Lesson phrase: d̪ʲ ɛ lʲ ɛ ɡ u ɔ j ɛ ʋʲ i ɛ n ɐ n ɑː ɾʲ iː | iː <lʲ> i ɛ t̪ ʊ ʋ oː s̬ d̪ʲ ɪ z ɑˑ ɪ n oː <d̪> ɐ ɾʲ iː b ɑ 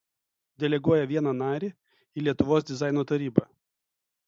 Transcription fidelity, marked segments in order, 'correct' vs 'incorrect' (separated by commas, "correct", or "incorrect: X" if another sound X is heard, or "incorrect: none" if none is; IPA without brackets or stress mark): correct, incorrect: t̪